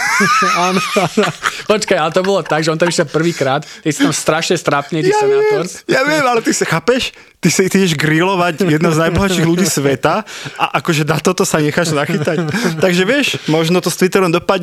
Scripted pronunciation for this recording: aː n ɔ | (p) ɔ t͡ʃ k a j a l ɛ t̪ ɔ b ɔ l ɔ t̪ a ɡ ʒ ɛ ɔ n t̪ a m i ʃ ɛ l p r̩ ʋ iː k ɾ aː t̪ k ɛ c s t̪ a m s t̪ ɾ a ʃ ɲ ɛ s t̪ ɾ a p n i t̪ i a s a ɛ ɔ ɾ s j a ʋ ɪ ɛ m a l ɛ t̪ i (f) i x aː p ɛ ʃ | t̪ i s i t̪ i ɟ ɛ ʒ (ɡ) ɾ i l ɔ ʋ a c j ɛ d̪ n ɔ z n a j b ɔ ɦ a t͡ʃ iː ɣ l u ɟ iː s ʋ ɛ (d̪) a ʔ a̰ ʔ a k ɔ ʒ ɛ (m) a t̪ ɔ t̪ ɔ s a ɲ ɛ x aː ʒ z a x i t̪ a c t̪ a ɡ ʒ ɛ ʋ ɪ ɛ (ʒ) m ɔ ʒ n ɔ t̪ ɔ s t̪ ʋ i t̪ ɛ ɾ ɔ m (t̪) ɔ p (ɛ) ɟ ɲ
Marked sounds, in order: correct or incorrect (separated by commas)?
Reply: correct, incorrect, correct, incorrect, incorrect, incorrect, incorrect, incorrect